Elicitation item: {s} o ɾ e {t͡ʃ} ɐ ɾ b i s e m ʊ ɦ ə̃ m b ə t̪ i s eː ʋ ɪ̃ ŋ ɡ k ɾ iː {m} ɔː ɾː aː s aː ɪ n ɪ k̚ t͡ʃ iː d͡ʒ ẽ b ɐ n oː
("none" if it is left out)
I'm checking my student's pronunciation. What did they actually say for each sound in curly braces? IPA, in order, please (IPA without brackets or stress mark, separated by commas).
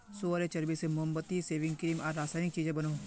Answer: s, t͡ʃ, m